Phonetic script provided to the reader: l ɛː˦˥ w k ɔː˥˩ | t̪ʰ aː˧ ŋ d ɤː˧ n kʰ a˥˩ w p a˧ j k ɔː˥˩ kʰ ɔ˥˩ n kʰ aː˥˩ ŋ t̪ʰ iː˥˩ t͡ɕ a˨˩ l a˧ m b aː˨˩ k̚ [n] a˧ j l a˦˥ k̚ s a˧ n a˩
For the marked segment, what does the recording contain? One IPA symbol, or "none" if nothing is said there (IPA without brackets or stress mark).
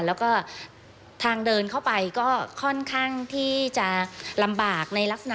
n